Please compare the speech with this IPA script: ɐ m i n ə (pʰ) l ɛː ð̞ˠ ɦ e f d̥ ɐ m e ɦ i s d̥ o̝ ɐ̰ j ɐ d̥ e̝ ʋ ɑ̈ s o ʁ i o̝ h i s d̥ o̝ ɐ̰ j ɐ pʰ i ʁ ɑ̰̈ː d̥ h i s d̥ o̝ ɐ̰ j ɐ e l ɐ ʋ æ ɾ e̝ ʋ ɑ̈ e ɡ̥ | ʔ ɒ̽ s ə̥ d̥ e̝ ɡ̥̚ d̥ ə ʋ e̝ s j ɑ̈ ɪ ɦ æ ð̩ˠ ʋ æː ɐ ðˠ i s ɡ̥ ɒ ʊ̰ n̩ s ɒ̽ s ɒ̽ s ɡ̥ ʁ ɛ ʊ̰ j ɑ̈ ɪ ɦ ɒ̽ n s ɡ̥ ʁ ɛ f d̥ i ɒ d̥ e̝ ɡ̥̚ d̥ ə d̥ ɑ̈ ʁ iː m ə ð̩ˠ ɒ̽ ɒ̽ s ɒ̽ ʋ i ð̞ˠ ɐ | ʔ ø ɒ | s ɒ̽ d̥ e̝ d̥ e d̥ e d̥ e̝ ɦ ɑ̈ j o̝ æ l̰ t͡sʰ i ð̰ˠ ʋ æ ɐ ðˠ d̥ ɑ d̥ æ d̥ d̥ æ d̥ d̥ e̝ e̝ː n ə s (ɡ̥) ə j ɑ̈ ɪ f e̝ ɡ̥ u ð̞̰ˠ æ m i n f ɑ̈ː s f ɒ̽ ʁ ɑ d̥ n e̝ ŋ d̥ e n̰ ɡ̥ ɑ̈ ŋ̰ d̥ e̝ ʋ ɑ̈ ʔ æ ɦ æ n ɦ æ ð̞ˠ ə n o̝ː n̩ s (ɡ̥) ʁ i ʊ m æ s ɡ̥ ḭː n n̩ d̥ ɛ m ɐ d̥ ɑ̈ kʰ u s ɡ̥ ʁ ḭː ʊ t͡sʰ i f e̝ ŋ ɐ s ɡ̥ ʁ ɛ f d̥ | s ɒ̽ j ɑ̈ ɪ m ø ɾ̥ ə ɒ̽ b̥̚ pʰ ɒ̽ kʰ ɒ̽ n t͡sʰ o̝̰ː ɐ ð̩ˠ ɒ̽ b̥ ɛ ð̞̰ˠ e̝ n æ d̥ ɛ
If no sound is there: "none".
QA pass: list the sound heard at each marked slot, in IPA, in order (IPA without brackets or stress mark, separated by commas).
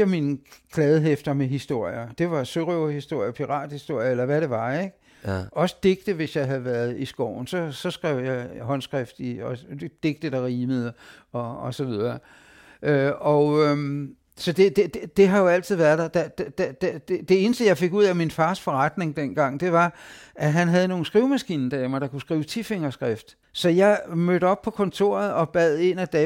kʰ, d̥, ɡ̥